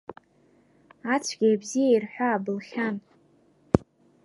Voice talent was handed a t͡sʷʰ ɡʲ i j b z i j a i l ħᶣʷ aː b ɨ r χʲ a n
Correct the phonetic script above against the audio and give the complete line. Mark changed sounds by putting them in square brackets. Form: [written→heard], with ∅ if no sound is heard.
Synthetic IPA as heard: a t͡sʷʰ ɡʲ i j b z i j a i [l→r] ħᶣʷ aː b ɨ [r→l] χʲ a n